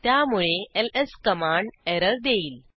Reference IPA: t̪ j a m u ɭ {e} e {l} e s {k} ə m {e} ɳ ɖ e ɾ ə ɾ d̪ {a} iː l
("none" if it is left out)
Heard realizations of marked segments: e, l, k, a, e

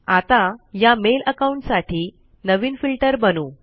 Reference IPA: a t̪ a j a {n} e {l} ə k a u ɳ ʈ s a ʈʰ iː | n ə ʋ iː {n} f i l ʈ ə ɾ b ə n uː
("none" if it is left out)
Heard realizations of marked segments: m, l, n

